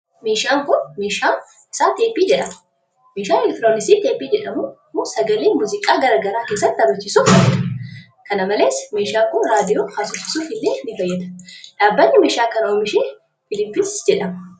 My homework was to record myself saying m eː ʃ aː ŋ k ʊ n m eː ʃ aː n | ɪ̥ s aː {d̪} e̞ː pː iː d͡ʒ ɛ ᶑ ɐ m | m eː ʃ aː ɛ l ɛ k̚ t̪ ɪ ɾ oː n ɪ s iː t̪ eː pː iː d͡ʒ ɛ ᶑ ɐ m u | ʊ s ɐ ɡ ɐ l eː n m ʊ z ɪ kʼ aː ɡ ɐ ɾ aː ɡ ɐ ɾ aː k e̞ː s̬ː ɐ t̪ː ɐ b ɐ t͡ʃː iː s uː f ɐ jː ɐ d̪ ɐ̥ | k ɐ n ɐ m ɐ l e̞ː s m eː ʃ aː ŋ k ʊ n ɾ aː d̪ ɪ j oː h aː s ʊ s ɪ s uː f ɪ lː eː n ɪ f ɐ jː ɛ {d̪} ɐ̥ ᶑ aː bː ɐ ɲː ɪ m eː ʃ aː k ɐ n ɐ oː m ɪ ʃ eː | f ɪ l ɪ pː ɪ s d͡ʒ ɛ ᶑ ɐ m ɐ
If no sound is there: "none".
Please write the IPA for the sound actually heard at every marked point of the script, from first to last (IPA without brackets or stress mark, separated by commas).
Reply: t̪, d̪